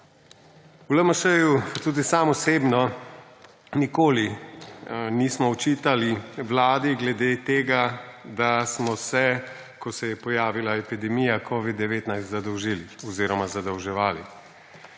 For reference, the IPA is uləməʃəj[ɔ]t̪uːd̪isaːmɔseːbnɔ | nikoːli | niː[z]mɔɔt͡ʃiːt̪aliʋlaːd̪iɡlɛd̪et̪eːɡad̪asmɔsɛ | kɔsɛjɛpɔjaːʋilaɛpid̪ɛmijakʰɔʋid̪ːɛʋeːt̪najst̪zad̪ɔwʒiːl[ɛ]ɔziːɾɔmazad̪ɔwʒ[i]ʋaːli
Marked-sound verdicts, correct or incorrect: incorrect, incorrect, incorrect, incorrect

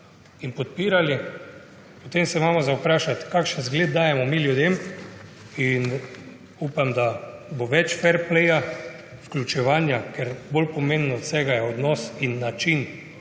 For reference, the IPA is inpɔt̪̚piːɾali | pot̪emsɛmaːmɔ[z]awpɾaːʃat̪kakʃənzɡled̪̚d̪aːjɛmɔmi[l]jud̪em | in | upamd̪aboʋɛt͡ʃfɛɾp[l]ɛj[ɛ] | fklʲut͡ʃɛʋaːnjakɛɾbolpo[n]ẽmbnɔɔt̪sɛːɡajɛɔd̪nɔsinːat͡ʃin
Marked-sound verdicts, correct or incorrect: correct, correct, correct, incorrect, incorrect

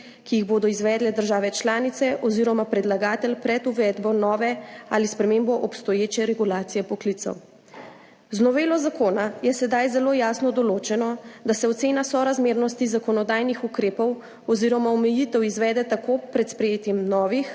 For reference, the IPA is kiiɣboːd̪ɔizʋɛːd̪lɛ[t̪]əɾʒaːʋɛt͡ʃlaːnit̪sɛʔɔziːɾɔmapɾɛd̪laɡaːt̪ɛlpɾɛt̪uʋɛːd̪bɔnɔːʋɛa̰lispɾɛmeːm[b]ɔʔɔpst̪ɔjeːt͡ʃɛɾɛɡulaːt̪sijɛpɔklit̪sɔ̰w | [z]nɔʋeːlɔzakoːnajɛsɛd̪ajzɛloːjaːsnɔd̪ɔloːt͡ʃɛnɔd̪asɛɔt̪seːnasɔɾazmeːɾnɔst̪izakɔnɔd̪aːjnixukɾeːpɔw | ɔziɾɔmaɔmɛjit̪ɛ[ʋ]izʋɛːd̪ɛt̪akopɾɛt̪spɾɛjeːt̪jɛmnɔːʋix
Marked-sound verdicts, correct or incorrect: incorrect, correct, correct, incorrect

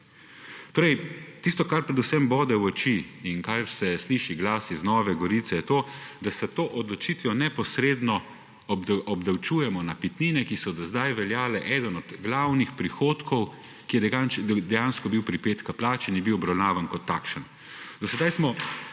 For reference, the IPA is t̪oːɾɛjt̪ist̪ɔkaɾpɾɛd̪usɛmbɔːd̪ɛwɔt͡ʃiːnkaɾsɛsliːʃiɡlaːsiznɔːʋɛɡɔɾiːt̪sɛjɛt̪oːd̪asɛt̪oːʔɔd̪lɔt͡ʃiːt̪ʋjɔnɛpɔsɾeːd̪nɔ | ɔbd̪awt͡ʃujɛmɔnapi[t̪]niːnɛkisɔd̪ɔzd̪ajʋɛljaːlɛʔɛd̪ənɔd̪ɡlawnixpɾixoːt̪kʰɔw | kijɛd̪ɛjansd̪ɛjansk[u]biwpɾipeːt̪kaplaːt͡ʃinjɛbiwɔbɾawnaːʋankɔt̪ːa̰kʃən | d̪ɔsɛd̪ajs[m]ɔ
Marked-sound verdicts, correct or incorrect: correct, incorrect, correct

